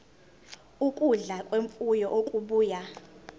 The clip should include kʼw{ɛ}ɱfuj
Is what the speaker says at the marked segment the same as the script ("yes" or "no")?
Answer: no